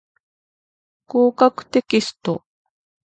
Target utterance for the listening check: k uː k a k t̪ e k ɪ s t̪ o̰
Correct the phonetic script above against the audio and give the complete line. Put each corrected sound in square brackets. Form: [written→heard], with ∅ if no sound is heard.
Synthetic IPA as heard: k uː k a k t̪ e k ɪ s t̪ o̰